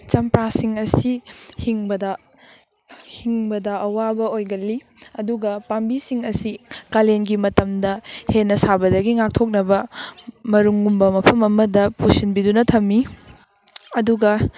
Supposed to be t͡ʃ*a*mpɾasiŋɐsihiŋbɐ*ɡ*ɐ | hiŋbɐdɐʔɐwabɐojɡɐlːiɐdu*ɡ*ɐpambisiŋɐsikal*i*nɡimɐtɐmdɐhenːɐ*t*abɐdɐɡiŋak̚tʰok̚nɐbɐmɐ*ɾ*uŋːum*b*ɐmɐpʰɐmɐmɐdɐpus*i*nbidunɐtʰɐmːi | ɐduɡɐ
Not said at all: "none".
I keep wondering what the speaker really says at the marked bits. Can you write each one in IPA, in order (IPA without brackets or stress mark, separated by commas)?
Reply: ɐ, d, ɡ, e, s, ɾ, b, i